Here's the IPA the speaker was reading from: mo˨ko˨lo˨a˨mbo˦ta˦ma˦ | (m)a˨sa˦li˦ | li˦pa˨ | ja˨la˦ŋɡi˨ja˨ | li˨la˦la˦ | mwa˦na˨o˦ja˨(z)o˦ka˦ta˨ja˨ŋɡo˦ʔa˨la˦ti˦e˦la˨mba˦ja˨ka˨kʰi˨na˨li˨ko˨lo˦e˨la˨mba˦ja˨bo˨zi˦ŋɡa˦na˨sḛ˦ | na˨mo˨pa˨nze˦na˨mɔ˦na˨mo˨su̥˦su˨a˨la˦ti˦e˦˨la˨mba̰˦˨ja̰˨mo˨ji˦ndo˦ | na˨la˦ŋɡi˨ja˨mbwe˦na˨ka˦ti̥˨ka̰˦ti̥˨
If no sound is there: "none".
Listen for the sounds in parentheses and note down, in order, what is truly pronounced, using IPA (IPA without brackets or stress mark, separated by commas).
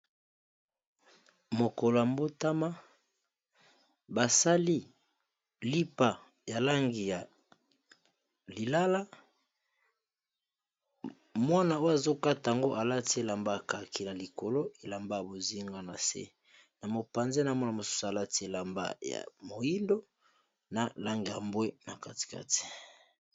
b, z